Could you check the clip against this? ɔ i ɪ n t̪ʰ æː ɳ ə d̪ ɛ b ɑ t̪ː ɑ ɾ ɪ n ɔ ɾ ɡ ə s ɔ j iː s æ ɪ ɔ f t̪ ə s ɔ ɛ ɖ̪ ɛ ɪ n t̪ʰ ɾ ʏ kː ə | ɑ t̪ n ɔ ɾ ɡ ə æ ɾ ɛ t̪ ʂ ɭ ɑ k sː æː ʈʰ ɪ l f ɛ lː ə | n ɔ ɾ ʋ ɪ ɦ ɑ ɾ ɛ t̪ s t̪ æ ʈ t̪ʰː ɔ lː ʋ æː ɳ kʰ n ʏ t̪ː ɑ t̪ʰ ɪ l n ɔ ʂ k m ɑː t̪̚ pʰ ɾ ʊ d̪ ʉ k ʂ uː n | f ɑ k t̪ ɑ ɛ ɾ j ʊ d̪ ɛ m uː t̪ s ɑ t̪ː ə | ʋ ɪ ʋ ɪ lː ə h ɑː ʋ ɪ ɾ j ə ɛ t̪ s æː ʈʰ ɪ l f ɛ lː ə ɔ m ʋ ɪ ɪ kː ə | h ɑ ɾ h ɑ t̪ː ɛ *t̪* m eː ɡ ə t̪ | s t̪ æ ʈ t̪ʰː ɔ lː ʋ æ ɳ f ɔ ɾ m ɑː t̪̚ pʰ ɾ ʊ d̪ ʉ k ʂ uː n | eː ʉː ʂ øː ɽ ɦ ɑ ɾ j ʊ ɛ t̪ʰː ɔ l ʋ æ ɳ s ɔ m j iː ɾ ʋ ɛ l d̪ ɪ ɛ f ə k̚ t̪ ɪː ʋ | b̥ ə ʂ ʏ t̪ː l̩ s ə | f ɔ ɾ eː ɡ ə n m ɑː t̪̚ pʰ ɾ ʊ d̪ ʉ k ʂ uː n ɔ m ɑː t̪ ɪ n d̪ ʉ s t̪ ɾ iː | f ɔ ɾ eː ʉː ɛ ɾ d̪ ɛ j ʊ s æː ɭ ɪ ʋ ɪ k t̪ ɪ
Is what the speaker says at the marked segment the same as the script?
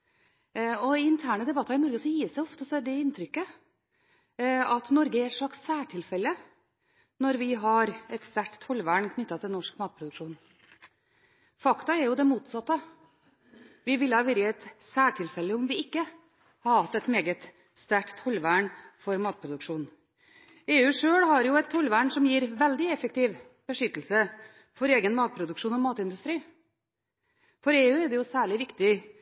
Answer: yes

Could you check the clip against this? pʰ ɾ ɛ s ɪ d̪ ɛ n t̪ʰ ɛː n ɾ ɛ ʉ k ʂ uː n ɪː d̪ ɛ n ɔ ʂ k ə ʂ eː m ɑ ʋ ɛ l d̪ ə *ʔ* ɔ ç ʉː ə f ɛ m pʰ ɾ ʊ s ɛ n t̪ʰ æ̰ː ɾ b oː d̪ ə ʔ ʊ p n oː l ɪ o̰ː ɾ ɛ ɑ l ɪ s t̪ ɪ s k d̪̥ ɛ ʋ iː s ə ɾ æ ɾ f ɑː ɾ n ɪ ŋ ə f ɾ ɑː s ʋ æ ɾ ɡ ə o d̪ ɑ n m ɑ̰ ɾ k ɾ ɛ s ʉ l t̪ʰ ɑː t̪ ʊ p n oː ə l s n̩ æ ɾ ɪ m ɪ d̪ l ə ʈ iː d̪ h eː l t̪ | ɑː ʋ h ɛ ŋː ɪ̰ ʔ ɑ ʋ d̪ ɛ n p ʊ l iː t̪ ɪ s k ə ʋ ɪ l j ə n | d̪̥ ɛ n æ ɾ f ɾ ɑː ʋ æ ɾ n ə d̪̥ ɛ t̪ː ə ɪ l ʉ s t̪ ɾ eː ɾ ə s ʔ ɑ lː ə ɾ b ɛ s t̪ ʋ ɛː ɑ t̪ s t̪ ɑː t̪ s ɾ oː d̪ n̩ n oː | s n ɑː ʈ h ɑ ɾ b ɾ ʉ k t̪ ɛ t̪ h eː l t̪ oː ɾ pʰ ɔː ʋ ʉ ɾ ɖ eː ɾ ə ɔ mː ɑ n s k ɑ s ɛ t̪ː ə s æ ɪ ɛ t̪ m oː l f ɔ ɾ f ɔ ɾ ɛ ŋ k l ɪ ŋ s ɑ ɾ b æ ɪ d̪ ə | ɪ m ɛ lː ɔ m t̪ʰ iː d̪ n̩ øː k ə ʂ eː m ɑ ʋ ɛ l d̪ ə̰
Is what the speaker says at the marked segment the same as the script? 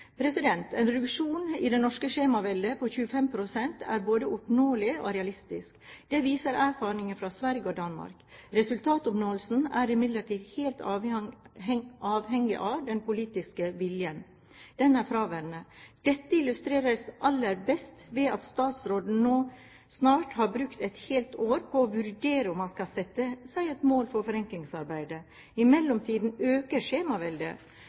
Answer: no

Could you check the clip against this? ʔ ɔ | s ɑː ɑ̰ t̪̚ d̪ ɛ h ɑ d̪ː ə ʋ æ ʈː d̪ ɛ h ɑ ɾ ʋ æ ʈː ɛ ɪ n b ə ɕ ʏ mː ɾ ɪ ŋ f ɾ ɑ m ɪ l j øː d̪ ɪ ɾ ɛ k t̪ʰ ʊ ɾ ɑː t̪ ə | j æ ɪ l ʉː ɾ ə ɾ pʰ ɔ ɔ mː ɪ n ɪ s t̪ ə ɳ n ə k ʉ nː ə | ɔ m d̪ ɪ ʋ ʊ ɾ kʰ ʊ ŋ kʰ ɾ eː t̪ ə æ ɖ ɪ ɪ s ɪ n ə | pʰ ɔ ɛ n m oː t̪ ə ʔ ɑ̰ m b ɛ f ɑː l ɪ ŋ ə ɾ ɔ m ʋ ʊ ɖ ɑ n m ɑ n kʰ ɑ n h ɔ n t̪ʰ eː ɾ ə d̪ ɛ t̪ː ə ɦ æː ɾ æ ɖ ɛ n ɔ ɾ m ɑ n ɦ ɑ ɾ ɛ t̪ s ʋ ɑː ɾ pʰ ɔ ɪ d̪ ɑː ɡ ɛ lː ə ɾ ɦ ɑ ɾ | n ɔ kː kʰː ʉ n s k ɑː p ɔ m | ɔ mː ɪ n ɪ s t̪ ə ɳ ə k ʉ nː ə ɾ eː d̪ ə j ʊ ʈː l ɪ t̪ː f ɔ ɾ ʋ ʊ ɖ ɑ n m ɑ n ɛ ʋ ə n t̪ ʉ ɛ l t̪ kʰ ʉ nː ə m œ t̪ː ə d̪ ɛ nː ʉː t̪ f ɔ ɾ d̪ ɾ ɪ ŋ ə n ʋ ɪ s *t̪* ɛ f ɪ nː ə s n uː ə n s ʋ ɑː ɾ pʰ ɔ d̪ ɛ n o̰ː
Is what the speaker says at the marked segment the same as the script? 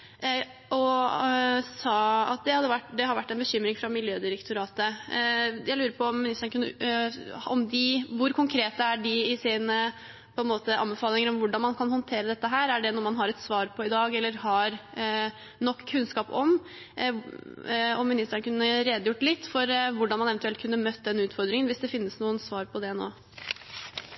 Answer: no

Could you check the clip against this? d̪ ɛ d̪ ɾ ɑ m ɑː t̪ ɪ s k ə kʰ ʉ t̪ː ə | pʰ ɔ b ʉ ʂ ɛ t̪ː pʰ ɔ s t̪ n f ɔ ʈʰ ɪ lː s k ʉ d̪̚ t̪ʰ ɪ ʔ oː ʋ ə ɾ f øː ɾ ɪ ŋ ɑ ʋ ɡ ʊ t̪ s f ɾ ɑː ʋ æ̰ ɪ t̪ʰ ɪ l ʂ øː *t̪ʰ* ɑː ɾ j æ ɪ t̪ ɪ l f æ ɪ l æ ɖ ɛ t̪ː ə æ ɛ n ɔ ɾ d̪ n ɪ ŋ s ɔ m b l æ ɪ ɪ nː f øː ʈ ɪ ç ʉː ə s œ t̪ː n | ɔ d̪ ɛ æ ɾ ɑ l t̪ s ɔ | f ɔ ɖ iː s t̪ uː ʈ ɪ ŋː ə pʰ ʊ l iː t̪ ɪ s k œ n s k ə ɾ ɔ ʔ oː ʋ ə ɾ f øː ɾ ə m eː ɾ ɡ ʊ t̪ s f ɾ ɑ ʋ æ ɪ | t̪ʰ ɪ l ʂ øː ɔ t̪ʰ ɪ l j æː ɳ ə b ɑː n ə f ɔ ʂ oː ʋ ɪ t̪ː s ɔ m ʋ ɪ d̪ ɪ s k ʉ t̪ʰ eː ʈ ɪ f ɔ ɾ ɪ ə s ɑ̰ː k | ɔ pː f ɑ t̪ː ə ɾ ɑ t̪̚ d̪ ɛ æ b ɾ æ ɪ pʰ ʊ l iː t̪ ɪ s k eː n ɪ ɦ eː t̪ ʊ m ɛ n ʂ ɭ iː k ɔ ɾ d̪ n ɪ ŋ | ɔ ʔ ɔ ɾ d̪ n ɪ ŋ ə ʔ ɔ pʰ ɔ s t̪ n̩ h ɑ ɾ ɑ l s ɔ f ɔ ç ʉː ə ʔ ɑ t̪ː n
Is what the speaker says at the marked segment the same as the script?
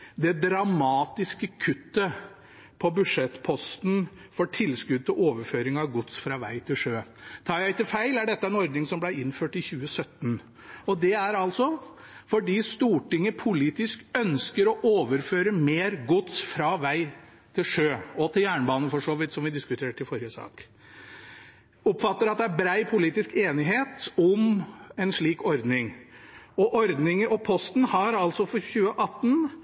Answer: yes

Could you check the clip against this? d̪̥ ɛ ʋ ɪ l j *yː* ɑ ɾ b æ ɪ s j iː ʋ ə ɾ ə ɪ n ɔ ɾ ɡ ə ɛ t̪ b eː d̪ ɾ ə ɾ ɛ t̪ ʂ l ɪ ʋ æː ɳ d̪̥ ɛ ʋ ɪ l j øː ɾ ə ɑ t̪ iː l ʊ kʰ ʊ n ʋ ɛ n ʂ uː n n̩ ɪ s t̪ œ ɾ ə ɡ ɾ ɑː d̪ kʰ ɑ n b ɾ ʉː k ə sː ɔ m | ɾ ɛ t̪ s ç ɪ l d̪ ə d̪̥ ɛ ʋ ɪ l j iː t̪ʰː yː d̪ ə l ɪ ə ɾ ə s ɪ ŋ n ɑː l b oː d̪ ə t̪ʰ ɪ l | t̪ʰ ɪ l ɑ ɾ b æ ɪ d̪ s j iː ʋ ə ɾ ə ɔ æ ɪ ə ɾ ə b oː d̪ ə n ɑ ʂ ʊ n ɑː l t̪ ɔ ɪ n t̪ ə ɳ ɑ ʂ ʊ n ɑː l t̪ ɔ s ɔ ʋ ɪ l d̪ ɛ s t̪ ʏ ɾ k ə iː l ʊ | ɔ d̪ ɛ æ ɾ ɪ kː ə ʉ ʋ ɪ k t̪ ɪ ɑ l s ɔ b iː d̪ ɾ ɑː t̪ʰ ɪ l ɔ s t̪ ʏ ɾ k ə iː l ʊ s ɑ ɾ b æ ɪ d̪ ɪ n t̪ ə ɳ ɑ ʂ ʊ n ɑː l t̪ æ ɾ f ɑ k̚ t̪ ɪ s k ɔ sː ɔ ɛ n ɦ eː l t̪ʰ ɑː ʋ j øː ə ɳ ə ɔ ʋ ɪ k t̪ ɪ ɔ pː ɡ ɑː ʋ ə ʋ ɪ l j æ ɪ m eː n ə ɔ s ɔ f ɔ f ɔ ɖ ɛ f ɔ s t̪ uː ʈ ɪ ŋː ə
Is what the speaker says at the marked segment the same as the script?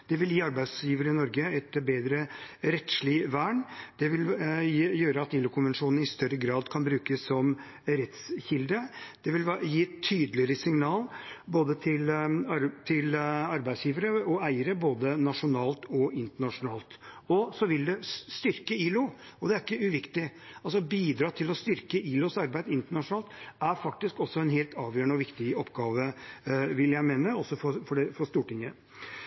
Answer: no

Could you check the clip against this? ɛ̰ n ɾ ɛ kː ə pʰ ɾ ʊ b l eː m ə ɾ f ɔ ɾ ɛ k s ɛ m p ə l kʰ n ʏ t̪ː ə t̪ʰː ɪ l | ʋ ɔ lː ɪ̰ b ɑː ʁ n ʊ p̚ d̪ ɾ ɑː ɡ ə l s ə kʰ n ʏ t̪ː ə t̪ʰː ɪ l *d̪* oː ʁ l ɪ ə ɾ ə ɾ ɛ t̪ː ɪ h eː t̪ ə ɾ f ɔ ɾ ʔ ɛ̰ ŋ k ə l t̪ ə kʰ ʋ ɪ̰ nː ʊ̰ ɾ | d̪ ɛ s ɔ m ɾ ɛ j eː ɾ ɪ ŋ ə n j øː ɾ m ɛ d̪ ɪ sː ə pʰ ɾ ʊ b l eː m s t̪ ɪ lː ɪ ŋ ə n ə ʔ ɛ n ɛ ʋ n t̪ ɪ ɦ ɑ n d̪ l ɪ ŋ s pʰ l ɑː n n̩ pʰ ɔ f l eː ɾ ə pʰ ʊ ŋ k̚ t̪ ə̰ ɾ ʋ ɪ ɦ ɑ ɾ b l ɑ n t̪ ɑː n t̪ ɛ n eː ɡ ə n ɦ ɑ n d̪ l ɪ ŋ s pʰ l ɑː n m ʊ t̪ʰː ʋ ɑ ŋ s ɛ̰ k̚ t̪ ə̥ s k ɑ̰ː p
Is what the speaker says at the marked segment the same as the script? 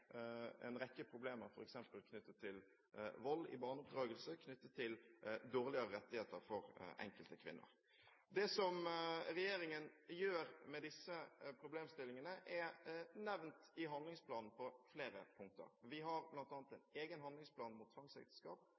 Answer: yes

